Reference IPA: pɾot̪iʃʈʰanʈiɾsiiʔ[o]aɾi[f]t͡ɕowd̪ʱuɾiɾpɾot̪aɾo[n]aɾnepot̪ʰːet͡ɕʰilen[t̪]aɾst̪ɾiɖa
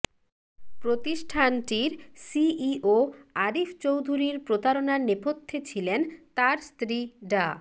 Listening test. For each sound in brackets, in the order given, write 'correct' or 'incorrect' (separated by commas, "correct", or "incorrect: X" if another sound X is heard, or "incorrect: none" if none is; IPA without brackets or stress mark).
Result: correct, correct, correct, correct